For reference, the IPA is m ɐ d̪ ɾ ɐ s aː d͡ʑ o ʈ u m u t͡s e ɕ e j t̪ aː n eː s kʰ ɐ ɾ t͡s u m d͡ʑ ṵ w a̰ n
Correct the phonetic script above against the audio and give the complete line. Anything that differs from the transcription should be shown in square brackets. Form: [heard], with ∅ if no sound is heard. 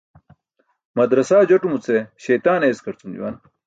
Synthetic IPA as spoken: m ɐ d̪ ɾ ɐ s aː d͡ʑ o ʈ u m u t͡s e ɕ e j t̪ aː n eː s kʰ ɐ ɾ t͡s u m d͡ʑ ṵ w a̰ n